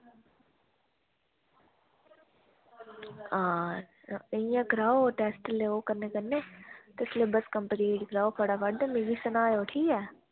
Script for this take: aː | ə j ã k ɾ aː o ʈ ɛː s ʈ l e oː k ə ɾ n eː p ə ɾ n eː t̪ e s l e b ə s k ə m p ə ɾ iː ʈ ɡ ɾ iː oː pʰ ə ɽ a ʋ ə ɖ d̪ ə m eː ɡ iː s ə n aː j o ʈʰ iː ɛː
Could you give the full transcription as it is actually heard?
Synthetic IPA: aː | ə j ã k ɾ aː o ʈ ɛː s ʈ l e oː k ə ɾ n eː k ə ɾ n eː t̪ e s l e b ə s k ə m p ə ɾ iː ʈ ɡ ɾ aː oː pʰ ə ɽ a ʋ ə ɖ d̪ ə m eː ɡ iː s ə n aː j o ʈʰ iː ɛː